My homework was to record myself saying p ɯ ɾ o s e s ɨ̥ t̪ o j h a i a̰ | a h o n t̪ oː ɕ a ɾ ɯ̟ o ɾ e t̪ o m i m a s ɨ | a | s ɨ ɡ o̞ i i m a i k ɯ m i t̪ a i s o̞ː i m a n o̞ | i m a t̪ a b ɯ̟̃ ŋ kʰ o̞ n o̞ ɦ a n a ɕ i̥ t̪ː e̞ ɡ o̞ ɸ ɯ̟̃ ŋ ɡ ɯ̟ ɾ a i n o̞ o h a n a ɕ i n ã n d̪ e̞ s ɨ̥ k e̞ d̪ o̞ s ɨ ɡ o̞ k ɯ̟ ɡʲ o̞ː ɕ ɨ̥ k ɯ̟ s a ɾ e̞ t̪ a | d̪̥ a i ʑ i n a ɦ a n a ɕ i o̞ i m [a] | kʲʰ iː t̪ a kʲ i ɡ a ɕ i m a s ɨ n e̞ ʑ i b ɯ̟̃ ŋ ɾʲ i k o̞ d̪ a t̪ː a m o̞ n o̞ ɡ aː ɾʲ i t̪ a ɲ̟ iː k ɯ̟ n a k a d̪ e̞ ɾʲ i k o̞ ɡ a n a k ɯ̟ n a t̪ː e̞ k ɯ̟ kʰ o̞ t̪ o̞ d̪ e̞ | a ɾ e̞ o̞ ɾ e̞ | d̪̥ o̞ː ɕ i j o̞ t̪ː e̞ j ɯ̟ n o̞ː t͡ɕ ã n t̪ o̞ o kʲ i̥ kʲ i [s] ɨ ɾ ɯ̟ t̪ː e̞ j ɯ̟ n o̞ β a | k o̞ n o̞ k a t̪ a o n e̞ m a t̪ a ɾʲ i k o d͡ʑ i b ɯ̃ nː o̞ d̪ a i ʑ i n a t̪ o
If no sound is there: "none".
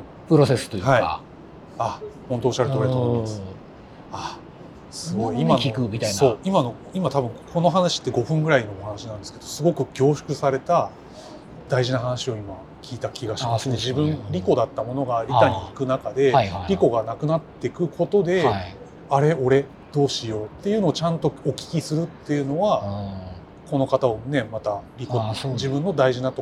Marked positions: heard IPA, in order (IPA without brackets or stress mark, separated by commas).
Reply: a, s